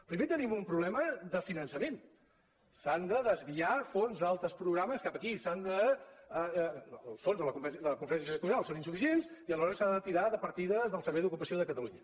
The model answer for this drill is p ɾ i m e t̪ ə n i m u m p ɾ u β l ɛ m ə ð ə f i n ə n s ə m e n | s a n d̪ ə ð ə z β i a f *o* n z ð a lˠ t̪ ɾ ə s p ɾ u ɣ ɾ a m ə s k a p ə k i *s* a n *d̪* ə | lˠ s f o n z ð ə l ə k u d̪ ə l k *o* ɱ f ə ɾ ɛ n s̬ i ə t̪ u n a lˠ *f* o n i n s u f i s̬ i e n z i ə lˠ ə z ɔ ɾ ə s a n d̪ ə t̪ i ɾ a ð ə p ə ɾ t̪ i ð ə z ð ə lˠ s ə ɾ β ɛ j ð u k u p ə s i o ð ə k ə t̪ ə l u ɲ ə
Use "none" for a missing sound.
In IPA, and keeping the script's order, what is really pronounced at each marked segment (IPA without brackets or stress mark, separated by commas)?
o, s, d̪, u, s